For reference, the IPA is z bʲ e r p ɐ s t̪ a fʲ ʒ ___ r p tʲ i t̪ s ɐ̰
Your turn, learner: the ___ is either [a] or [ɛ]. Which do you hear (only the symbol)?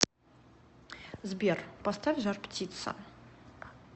a